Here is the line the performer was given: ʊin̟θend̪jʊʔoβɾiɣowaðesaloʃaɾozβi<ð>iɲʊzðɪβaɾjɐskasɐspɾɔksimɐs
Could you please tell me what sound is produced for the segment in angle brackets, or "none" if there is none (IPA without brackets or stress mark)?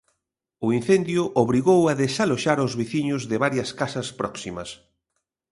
θ